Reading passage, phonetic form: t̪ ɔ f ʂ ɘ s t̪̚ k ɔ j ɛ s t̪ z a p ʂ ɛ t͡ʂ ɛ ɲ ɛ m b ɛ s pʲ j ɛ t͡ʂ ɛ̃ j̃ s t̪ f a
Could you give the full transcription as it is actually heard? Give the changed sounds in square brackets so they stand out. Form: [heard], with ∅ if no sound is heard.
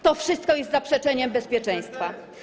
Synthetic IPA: t̪ ɔ f ʂ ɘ s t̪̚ k ɔ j ɛ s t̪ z a p ʂ ɛ t͡ʂ ɛ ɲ ɛ m b ɛ s pʲ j ɛ t͡ʂ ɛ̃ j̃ s t̪ f a